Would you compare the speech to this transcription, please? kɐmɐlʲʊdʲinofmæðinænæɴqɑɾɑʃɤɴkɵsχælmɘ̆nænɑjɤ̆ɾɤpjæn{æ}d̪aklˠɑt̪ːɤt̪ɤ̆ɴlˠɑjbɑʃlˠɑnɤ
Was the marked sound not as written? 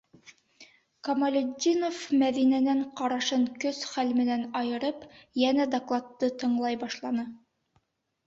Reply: no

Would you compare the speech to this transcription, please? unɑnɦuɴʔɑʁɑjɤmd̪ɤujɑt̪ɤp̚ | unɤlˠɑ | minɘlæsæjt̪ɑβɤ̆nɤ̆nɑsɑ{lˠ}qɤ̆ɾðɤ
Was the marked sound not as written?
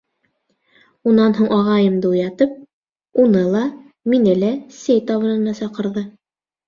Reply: yes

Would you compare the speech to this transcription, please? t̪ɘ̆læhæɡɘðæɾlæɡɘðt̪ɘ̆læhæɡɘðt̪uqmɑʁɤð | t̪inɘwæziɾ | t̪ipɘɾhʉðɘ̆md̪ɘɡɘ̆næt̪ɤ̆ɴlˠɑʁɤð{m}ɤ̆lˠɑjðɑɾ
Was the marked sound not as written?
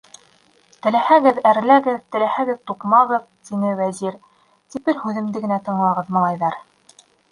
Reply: no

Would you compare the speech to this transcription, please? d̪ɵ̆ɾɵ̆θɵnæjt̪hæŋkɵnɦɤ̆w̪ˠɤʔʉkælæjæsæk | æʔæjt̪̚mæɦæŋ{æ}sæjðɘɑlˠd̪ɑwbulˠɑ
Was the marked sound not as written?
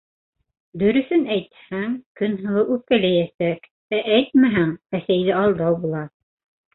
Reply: no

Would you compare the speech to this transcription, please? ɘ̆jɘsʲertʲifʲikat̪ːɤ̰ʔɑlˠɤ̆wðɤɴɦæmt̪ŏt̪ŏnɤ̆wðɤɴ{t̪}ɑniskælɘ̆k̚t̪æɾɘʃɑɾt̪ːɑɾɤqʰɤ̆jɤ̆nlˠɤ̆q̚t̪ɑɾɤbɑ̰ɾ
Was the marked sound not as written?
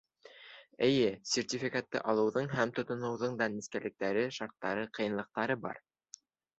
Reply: yes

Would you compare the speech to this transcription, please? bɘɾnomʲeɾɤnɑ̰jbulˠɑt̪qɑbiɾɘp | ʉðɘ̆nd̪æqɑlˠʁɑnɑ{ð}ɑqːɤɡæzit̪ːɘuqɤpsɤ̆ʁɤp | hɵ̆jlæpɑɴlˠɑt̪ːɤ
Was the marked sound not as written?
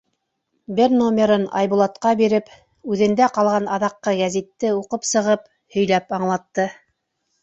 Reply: no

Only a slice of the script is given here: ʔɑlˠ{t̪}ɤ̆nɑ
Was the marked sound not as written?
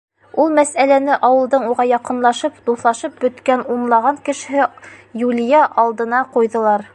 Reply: yes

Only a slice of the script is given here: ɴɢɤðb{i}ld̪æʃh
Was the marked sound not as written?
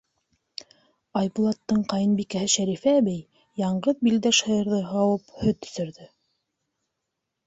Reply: no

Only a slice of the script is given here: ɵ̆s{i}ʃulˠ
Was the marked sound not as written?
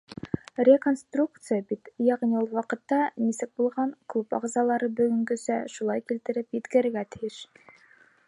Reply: yes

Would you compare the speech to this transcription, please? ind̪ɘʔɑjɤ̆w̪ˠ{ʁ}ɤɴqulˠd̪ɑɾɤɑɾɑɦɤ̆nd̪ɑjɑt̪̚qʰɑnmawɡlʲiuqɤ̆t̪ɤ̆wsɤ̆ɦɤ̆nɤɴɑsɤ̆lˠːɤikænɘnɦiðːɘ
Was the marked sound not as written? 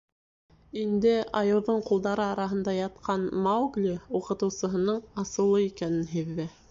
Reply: yes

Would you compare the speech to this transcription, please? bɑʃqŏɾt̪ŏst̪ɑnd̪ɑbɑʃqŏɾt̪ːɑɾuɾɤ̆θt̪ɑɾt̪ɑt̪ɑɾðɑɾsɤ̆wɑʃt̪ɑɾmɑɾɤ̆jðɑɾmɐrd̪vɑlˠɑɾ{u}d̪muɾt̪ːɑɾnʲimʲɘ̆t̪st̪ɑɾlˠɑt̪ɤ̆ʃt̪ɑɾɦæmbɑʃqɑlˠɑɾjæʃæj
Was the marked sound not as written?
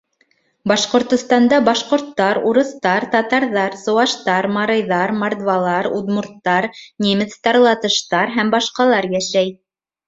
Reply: no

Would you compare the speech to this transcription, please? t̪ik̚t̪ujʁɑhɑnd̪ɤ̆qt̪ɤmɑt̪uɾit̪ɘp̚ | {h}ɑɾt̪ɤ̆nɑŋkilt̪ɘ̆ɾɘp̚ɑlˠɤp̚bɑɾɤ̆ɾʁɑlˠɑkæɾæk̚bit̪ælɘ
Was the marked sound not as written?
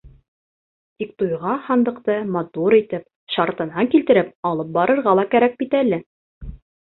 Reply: yes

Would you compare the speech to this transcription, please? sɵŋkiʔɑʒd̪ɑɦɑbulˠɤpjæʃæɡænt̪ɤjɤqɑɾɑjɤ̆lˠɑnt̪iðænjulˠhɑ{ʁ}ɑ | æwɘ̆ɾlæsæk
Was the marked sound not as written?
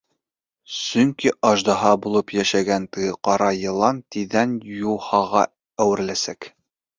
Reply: no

